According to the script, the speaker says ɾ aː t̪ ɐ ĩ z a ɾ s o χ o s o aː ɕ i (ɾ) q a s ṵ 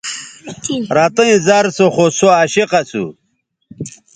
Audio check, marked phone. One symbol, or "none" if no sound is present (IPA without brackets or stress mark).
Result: none